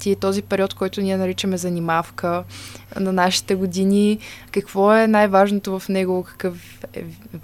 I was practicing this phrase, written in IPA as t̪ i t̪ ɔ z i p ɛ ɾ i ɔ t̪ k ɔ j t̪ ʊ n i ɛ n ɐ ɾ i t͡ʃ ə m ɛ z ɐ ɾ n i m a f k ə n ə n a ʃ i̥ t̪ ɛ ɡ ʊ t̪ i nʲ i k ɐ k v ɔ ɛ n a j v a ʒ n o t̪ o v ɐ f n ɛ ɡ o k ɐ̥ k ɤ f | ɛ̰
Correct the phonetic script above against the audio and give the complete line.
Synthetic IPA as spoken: t̪ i t̪ ɔ z i p ɛ ɾ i ɔ t̪ k ɔ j t̪ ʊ n i ɛ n ɐ ɾ i t͡ʃ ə m ɛ z ɐ n i m a f k ə n ɐ n a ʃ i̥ t̪ ɛ ɡ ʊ d̪ i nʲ i k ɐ k v ɔ ɛ n a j v a ʒ n o t̪ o v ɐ f n ɛ ɡ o k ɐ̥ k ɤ f | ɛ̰